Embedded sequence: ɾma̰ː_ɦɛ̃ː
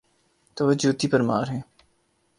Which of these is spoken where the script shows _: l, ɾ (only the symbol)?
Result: ɾ